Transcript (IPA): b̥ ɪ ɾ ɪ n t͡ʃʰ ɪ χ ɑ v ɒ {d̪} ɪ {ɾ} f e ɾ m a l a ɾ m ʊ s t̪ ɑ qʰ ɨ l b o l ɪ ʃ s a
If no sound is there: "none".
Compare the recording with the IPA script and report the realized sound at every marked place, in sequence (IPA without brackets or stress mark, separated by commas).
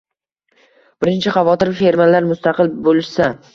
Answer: t̪, ɾ